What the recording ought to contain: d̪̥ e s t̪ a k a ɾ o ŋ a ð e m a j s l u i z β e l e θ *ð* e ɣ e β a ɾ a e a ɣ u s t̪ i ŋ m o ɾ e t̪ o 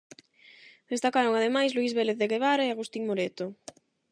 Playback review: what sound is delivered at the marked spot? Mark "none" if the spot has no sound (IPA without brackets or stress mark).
ð